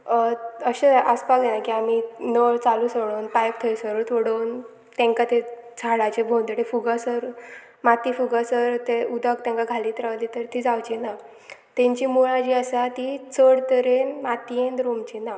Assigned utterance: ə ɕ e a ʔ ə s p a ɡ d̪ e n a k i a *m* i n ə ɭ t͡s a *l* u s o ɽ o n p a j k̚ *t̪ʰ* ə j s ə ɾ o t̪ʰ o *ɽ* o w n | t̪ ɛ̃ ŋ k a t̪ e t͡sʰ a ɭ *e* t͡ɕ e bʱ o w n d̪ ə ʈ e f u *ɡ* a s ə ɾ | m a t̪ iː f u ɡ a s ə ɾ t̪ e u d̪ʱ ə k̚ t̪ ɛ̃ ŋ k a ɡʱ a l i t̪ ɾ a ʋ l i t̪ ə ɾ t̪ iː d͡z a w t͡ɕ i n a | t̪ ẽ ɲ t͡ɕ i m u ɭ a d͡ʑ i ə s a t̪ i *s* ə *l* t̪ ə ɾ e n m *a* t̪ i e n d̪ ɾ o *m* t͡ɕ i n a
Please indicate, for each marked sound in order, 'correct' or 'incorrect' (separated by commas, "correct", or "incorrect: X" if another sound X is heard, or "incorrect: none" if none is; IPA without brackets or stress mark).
correct, correct, correct, correct, incorrect: a, correct, incorrect: t͡s, incorrect: ɽ, correct, correct